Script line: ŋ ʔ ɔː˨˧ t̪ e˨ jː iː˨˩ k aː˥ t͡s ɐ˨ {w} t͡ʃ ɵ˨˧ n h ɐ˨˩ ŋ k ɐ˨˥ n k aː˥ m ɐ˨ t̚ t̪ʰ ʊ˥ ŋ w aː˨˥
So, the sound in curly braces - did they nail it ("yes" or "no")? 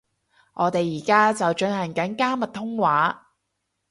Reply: yes